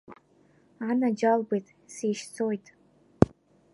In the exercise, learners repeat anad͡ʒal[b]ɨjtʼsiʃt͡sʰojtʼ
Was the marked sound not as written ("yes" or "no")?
no